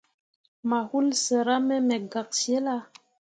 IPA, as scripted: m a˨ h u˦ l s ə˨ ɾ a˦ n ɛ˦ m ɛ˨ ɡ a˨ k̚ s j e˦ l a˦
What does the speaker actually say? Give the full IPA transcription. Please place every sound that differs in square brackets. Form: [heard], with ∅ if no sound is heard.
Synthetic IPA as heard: m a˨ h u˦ l s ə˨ ɾ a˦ [m] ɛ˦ m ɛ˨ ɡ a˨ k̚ s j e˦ l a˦